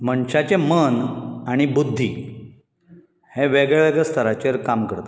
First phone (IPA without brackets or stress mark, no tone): m